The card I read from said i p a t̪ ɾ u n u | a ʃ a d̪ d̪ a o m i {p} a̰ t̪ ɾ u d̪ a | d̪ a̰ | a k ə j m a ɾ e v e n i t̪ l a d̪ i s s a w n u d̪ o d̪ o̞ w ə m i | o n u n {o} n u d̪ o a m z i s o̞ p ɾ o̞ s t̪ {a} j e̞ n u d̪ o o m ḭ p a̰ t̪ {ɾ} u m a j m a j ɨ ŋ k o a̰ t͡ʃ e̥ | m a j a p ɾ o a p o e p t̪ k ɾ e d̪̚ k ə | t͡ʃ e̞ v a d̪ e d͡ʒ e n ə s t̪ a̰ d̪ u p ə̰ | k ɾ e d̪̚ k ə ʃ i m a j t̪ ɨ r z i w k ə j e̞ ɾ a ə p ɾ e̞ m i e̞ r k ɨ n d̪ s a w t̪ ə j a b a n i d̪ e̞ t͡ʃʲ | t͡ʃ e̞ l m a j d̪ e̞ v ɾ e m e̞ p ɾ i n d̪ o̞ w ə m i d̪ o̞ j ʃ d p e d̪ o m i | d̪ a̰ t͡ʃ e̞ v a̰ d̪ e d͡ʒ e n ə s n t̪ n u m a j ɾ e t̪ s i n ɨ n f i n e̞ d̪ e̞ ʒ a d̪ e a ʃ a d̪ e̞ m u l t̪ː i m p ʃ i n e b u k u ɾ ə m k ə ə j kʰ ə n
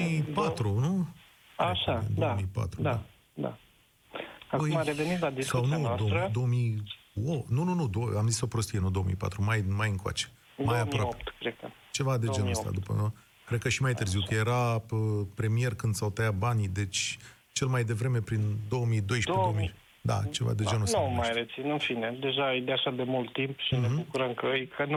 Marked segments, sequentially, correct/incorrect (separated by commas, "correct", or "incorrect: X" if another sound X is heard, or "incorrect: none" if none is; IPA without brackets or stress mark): correct, incorrect: u, incorrect: i, correct